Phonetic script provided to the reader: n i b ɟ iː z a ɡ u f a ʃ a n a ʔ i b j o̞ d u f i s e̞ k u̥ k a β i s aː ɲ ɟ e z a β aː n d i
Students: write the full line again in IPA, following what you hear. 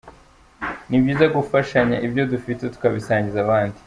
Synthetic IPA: n i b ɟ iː z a ɡ u f a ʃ a ɲ a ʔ i b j o̞ d u f i t e̞ t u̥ k a β i s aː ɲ ɟ i z a β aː n d i

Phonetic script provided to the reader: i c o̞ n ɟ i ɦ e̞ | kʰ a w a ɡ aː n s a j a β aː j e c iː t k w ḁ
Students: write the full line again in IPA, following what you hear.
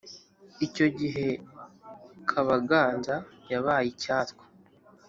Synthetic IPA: i c o̞ ɟ i ɦ e̞ | kʰ a β a ɡ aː n z a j a β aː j i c aː t k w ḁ

